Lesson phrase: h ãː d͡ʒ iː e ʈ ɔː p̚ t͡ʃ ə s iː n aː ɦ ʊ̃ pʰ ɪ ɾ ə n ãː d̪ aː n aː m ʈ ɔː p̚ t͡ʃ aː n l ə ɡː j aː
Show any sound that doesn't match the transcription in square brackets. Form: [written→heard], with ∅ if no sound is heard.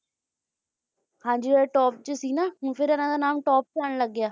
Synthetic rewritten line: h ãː d͡ʒ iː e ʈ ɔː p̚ t͡ʃ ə s iː n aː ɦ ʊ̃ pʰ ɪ ɾ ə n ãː d̪ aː n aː m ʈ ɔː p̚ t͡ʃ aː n l ə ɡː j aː